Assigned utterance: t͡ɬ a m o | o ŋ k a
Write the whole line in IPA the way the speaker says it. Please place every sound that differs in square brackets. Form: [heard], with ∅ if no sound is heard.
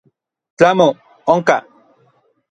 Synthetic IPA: t͡ɬ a m o | o ŋ k a